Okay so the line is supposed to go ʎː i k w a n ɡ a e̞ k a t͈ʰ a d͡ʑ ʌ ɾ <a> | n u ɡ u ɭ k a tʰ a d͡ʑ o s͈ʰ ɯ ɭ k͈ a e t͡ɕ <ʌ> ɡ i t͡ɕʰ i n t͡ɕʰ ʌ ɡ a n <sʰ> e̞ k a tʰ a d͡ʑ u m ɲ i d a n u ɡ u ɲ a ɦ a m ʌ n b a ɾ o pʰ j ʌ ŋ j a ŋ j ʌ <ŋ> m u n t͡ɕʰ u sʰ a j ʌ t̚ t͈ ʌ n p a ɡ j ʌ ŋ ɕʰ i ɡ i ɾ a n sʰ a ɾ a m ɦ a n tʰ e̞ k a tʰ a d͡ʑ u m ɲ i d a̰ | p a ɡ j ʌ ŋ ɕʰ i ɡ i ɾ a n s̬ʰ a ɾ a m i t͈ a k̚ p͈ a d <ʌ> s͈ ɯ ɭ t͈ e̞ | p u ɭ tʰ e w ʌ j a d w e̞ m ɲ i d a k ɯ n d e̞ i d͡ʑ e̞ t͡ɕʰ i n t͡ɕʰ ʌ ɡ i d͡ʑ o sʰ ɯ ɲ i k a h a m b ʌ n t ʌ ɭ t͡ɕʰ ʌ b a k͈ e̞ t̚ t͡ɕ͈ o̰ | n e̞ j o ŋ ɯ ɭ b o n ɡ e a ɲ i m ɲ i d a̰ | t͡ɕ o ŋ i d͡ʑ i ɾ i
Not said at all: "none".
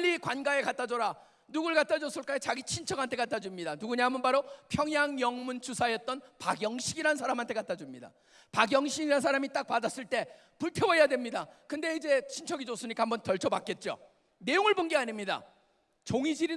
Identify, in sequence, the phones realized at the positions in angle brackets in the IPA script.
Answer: a, a, tʰ, ŋ, a

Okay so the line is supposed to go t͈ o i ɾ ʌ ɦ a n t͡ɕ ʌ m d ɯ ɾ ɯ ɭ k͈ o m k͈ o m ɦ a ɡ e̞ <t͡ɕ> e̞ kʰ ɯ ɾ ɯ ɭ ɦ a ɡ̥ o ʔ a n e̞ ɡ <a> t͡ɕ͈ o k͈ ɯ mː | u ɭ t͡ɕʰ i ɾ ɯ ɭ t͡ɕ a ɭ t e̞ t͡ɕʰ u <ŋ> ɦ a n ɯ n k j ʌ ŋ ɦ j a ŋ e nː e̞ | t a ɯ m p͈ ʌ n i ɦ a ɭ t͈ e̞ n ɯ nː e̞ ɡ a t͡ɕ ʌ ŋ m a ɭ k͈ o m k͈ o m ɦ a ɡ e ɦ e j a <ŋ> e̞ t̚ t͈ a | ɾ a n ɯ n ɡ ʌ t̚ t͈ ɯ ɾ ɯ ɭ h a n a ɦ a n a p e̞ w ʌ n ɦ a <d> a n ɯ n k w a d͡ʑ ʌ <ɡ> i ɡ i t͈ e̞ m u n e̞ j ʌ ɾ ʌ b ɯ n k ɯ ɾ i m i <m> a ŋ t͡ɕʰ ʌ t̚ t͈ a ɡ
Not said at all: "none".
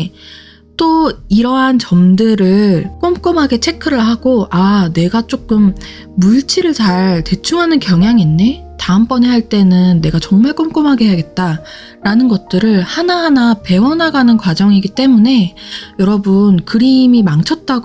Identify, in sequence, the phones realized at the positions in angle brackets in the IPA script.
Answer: t͡ɕʰ, a, ŋ, ɡ, ɡ, ŋ, m

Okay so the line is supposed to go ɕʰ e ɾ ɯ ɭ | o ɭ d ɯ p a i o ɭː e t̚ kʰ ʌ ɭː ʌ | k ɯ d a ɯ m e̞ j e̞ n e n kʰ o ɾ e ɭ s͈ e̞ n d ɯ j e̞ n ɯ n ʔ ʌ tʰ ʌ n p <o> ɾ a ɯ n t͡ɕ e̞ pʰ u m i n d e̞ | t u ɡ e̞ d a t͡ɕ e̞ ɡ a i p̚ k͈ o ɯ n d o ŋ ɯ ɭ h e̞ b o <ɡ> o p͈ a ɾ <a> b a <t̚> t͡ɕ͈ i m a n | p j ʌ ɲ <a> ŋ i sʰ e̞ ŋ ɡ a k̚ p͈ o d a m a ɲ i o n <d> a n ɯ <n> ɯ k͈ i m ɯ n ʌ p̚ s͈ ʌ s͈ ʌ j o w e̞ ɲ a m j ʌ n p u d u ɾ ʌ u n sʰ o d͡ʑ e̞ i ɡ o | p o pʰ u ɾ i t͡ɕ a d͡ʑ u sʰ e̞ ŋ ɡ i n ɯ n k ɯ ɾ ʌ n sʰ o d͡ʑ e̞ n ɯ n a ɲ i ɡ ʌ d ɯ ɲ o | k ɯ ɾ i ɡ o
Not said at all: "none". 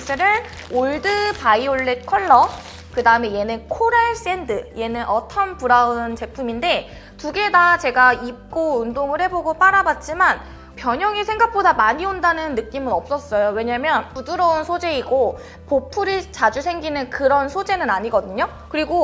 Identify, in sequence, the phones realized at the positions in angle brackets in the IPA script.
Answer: u, ɡ, a, t̚, ʌ, d, nː

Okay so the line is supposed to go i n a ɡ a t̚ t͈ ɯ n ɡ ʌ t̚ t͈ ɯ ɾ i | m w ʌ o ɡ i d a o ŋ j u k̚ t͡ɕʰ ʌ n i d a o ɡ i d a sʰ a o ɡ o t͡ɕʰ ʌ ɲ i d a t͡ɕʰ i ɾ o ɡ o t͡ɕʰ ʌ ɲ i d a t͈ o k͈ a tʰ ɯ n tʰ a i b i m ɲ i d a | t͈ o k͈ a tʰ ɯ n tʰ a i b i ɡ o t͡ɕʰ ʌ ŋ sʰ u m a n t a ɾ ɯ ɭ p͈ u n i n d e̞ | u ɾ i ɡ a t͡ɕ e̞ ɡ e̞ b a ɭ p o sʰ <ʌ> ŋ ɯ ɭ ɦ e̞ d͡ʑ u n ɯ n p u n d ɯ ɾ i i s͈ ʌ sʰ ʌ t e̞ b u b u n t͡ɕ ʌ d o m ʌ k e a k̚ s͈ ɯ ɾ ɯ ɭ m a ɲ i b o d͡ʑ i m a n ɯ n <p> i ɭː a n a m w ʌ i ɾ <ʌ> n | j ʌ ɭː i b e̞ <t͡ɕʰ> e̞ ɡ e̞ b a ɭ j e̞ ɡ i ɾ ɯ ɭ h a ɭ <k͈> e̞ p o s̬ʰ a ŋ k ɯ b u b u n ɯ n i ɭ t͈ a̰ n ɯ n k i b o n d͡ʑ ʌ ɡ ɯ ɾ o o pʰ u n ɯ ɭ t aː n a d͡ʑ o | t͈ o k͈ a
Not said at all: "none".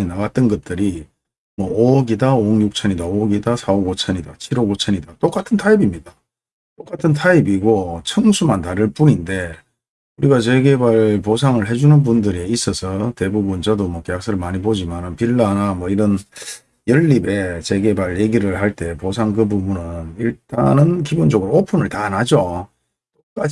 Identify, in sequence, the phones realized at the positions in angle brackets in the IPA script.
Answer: a, p, ʌ, t͡ɕ, t͈

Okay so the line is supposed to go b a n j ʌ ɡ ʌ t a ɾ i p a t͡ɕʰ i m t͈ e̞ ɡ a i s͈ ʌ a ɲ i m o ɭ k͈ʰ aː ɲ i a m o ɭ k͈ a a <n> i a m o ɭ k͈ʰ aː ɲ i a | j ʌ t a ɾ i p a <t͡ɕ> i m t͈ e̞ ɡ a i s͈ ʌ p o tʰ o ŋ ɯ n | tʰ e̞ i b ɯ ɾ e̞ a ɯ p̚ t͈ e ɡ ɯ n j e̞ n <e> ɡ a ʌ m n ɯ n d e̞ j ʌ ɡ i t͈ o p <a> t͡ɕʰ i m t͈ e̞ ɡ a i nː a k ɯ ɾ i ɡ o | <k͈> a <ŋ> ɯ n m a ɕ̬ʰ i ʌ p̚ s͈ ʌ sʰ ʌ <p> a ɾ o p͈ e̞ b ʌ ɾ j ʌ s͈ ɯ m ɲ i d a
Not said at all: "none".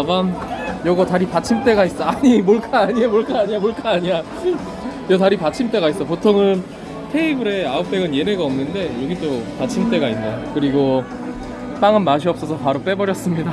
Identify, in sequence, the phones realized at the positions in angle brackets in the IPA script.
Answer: ɲ, t͡ɕʰ, e, a, p͈, ŋ, p

